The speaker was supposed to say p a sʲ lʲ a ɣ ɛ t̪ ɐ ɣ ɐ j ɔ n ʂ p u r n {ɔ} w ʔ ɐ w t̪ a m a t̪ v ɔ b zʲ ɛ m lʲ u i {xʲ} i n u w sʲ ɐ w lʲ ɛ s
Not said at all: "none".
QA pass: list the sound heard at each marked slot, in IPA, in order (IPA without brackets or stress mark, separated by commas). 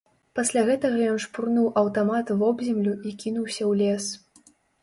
u, kʲ